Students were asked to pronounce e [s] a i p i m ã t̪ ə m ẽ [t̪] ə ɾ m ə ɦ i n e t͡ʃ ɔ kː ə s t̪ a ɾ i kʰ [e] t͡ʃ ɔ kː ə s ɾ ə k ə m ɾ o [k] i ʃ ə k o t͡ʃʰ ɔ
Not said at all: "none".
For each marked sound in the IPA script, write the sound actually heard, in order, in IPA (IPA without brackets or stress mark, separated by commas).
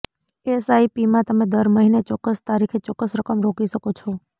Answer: s, d̪, e, k